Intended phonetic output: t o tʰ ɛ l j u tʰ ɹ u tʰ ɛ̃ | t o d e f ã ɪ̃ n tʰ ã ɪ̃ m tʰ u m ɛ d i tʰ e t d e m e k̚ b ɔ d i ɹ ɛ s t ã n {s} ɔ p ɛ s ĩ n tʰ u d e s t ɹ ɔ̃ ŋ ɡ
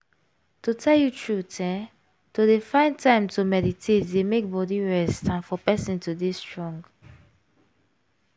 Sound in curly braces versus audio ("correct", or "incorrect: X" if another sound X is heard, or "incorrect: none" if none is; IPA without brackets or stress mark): incorrect: f